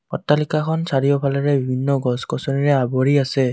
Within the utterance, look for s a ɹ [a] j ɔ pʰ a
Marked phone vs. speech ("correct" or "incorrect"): incorrect